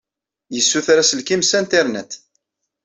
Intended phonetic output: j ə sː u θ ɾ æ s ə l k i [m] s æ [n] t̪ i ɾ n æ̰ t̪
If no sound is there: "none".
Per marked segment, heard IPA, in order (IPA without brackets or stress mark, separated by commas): m, n